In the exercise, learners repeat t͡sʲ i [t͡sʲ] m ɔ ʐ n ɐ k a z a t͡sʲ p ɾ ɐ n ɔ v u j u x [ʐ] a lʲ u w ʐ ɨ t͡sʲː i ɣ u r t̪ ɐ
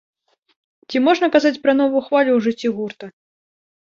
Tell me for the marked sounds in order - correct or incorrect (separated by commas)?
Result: incorrect, incorrect